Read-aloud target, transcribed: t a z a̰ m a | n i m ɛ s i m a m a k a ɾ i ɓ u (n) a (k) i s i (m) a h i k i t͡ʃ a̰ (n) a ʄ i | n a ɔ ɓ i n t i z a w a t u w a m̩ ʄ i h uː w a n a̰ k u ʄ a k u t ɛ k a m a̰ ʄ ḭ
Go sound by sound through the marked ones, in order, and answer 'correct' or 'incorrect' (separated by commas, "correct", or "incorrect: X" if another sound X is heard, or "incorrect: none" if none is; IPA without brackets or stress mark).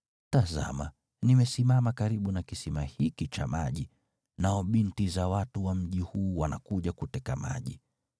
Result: correct, correct, correct, incorrect: m